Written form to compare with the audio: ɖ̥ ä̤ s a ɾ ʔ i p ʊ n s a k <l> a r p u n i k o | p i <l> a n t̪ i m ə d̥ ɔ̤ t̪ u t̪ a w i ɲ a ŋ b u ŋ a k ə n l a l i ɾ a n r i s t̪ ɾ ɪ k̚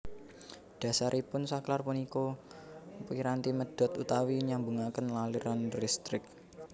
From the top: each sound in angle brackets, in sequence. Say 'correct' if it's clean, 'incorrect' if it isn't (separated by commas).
correct, incorrect